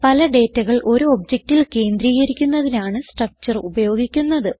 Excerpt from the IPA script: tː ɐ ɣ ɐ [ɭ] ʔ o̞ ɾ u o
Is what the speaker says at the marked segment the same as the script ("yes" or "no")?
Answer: yes